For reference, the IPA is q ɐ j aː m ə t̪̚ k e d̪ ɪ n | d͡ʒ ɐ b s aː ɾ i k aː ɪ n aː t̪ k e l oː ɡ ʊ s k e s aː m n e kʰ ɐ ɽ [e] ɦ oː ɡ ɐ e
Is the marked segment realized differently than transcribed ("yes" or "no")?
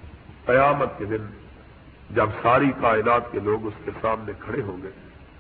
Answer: no